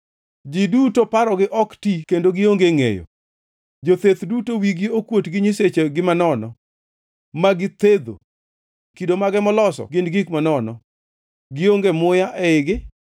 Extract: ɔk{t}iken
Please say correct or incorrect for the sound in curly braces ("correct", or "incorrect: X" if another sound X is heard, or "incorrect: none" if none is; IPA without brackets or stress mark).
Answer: correct